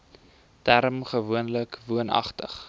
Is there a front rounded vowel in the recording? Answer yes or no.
no